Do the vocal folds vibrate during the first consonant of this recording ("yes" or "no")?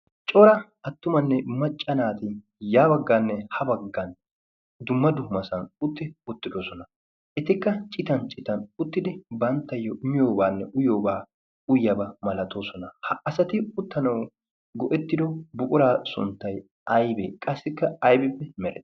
no